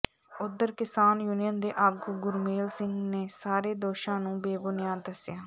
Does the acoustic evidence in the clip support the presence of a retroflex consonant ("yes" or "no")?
no